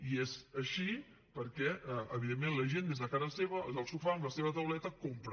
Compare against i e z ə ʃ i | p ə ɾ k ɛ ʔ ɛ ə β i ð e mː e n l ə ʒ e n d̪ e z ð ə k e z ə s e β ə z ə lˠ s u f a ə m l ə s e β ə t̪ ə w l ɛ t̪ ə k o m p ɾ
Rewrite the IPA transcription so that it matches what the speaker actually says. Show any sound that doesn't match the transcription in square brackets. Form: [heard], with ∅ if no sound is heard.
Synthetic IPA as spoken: i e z ə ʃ i | p ə ɾ k ɛ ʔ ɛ ə β i ð e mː e n l ə ʒ e n d̪ e z ð ə k [a] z ə s e β ə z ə lˠ s u f a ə m l ə s e β ə t̪ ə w l ɛ t̪ ə k o m p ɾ